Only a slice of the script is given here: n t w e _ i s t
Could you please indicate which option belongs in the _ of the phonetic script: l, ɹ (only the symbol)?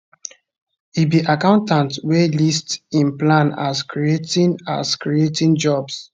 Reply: l